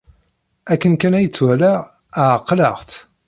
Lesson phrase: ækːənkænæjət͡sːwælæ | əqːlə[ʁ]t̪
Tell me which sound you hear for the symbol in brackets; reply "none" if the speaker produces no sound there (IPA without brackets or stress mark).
ʁ